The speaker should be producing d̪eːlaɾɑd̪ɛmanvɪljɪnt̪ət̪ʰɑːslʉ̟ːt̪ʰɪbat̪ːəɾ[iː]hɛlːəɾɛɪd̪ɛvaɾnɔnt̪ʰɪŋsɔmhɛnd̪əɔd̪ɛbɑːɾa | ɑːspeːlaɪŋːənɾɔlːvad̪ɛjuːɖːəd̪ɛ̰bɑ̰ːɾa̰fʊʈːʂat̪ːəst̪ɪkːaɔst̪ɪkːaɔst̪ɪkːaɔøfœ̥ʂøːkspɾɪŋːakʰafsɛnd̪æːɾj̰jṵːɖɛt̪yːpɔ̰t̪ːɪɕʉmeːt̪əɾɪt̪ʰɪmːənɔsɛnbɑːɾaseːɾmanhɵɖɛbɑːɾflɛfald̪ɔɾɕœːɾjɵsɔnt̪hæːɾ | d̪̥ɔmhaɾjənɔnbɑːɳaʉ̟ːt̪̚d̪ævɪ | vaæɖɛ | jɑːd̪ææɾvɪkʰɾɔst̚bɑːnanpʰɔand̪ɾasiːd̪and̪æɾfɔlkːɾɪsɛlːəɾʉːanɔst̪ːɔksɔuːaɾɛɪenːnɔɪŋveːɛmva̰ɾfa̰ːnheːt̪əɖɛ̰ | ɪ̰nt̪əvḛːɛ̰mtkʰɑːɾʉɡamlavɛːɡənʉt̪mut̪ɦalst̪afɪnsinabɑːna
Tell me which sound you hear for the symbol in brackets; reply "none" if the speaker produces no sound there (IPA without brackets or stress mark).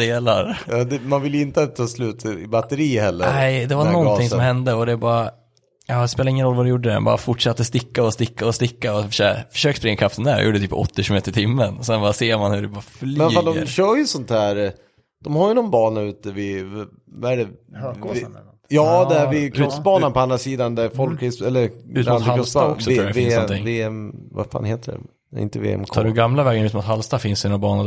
iː